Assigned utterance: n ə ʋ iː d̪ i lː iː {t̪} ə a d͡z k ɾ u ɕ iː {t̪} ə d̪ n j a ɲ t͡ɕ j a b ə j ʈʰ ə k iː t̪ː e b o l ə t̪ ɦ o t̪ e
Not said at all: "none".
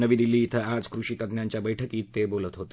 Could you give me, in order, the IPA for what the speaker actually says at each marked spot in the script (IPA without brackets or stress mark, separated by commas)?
t̪ʰ, t̪